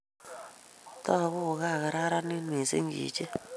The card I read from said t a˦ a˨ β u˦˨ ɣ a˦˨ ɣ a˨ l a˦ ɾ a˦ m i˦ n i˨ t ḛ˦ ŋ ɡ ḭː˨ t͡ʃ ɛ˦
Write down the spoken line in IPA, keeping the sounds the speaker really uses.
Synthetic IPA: t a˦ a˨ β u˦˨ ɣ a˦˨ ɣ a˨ ɾ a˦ ɾ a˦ n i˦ n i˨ s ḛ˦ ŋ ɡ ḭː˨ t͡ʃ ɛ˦